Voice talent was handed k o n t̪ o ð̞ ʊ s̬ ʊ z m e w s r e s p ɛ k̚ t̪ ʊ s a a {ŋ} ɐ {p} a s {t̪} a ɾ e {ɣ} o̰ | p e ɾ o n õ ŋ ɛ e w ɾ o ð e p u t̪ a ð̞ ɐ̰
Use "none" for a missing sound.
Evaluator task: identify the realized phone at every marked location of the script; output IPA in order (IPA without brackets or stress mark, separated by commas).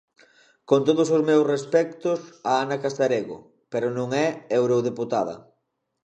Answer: n, k, t̪, ɣ